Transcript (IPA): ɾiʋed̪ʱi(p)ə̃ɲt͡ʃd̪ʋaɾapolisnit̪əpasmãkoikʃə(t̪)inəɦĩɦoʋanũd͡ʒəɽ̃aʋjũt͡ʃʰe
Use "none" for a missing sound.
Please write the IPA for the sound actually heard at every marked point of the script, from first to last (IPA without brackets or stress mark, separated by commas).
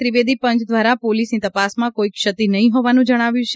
p, t̪